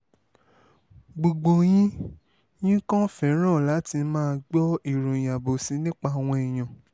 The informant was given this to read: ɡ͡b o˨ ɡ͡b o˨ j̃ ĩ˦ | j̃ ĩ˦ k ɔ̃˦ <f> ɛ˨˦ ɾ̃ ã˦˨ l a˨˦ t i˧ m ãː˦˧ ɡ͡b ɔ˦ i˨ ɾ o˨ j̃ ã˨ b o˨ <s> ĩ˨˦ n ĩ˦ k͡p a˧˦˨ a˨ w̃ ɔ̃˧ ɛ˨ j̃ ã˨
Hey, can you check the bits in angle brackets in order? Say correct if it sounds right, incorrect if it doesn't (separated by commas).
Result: correct, correct